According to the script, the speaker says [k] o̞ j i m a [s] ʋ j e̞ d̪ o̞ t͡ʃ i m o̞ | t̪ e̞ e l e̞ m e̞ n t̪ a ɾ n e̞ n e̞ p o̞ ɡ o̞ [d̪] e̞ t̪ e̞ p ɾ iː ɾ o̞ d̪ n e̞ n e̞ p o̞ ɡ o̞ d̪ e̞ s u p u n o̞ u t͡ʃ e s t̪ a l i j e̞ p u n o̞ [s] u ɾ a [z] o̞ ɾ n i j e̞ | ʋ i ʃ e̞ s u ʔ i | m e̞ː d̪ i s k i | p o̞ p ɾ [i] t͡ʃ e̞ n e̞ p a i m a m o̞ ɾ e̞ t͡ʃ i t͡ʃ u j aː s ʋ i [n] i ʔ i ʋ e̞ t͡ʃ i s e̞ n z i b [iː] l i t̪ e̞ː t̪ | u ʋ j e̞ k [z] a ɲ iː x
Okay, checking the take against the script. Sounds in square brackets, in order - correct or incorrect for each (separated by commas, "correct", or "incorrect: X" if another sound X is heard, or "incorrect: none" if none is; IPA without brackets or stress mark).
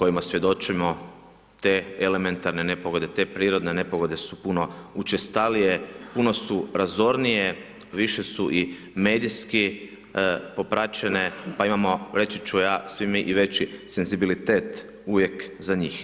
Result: correct, correct, correct, correct, correct, incorrect: a, incorrect: m, incorrect: i, correct